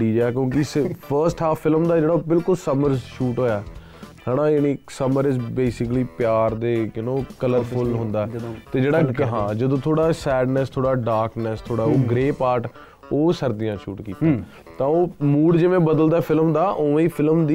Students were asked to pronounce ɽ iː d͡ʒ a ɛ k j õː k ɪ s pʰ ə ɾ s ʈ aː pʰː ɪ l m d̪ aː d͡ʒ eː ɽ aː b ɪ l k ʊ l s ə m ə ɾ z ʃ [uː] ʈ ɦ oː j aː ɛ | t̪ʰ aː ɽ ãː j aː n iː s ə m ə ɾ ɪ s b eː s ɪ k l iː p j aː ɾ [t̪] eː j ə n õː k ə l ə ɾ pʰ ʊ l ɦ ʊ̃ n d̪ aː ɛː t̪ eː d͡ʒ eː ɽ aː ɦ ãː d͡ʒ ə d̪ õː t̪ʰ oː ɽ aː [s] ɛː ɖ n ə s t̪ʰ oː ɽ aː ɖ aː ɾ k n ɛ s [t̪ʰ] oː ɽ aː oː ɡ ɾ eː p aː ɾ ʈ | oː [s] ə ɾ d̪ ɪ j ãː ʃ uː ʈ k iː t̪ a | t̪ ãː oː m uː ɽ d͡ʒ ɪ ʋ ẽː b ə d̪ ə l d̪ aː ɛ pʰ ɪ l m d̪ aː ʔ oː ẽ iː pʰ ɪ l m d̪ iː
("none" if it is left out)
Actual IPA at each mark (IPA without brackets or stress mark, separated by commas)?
uː, d̪, s, t̪ʰ, s